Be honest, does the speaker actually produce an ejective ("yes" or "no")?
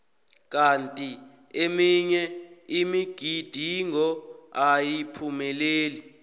yes